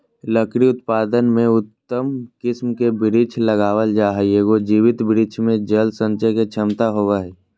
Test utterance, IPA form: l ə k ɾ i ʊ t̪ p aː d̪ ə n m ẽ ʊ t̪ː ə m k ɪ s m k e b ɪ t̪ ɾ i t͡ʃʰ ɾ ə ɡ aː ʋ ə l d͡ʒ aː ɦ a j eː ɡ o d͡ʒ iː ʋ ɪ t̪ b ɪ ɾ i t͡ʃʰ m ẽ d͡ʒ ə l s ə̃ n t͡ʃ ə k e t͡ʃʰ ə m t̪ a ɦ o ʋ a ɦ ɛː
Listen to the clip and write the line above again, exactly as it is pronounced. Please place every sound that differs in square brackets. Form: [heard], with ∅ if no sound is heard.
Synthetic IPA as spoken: l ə k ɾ i ʊ t̪ p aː d̪ ə n m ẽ ʊ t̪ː ə m k ɪ s m k e b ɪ [∅] ɾ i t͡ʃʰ [l] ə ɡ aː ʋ ə l d͡ʒ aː ɦ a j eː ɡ o d͡ʒ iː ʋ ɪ t̪ b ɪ ɾ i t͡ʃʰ m ẽ d͡ʒ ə l s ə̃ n t͡ʃ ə k e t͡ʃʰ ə m t̪ a ɦ o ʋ a ɦ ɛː